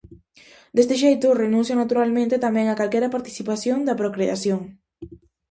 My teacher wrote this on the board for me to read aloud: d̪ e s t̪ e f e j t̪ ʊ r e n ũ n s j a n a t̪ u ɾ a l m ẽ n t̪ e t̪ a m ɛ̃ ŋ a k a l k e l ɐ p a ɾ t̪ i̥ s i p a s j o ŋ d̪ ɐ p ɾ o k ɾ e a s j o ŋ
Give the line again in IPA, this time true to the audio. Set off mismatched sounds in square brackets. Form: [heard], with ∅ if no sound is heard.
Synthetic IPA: d̪ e s t̪ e [ʃ] e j t̪ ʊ r e n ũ n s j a n a t̪ u ɾ a l m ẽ n t̪ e t̪ a m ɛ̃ ŋ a k a l k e [ɾ] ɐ p a ɾ t̪ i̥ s i p a s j o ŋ d̪ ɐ p ɾ o k ɾ e a s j o ŋ